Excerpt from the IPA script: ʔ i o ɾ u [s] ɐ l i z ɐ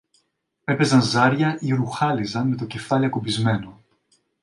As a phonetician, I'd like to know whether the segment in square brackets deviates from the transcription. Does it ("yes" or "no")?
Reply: yes